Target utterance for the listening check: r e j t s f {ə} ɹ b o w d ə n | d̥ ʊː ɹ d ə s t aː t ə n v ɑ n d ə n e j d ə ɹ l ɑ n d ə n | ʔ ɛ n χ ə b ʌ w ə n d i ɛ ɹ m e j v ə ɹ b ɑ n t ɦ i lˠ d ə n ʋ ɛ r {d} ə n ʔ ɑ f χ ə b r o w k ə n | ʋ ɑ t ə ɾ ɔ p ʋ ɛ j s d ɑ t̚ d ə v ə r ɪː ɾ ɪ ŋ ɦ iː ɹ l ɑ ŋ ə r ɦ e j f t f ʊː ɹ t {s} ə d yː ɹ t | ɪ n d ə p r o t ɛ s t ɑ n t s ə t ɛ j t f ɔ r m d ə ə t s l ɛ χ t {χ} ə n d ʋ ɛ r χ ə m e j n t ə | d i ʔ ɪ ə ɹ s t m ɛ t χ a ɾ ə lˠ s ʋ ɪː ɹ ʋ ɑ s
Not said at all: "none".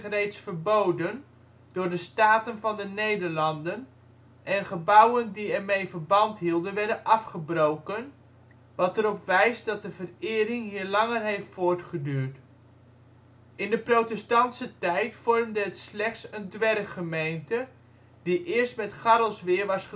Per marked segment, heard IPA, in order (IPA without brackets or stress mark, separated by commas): ə, d, χ, s